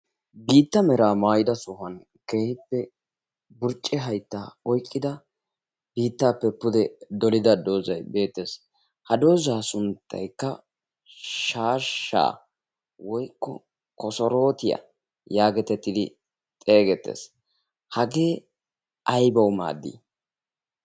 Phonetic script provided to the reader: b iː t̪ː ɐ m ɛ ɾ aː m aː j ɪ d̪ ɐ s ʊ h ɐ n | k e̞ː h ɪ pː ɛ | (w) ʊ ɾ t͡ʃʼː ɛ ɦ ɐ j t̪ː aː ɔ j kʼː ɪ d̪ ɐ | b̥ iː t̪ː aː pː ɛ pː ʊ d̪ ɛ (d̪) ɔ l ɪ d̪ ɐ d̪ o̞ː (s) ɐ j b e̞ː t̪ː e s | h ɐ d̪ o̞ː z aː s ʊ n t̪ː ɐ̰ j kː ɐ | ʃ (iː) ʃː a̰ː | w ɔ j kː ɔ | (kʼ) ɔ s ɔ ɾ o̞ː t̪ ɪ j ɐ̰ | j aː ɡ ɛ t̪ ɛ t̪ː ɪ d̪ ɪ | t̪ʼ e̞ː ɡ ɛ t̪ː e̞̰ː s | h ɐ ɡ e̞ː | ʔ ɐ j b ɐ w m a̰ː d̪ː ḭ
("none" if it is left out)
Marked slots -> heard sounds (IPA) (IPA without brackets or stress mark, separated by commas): b, d̪, z, aː, k